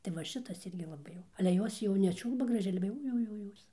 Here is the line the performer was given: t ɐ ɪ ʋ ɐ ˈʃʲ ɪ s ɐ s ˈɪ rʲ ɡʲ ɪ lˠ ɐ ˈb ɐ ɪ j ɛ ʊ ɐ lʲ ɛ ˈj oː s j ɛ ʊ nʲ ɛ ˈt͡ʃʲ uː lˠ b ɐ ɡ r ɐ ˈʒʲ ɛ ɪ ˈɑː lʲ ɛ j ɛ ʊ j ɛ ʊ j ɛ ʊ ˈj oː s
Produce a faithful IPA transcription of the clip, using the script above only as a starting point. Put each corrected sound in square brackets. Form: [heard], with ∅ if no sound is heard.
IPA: t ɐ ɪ ʋ ɐ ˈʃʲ ɪ [t] ɐ s ˈɪ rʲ ɡʲ ɪ lˠ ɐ ˈb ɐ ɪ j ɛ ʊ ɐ lʲ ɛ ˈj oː s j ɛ ʊ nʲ ɛ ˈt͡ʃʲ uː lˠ b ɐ ɡ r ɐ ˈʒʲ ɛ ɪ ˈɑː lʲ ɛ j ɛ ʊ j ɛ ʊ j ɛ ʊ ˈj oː s